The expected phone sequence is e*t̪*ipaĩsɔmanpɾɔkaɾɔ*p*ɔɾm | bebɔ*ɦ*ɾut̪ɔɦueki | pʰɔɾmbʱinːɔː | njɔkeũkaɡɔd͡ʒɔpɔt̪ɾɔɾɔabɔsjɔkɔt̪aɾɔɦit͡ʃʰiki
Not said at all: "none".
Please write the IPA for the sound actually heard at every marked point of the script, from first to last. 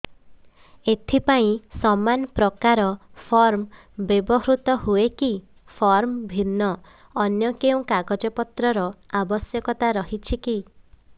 t̪ʰ, pʰ, ɦ

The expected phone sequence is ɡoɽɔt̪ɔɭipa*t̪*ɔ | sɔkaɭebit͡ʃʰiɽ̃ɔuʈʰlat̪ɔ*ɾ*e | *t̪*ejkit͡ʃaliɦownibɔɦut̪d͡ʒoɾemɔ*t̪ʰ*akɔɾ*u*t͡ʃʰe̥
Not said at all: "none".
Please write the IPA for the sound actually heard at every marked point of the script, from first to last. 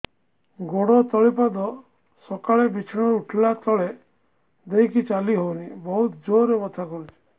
d̪, ɭ, d̪, t̪ʰ, u

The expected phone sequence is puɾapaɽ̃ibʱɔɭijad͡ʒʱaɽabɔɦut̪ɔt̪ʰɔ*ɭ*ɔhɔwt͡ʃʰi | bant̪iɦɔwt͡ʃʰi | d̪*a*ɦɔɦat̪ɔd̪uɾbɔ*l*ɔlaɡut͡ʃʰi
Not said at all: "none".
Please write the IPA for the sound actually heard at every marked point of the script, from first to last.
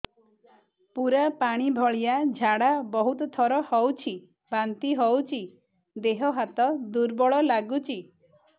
ɾ, e, ɭ

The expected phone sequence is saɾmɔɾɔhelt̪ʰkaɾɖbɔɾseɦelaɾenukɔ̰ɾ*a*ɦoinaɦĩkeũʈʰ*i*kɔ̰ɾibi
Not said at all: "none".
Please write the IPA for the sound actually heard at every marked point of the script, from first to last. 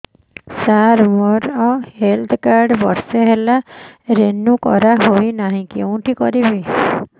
a, i

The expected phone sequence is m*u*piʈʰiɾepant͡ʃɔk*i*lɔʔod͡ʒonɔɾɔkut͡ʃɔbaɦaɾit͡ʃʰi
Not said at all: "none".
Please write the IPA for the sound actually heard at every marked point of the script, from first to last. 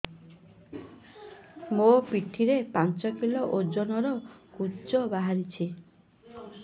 o, i

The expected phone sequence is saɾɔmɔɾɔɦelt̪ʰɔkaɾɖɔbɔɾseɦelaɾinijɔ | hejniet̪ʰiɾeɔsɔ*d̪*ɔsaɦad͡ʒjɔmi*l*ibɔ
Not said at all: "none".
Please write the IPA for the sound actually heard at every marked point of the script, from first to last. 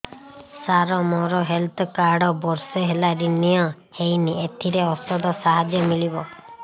d̪, l

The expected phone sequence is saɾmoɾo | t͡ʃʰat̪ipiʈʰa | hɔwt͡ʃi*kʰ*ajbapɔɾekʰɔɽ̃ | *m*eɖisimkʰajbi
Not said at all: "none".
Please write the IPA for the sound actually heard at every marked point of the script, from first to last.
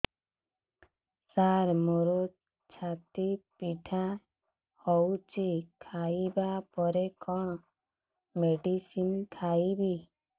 kʰ, m

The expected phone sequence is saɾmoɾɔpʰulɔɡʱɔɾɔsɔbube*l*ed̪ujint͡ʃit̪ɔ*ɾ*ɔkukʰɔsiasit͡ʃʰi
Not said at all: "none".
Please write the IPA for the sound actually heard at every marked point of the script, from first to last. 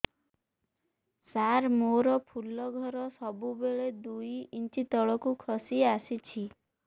ɭ, ɭ

